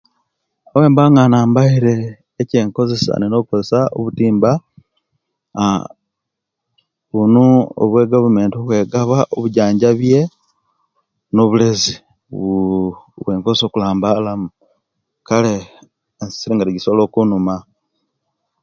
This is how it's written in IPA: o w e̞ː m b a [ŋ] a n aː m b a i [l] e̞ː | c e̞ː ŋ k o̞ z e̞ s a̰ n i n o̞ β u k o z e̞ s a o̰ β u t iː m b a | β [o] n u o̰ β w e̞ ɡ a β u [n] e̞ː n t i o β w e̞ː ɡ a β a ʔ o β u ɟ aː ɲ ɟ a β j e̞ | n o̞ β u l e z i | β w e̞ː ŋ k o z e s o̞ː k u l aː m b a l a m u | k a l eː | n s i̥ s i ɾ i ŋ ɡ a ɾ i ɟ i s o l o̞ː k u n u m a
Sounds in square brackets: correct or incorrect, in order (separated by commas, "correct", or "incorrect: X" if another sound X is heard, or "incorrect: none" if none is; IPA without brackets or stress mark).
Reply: correct, incorrect: ɾ, incorrect: u, incorrect: m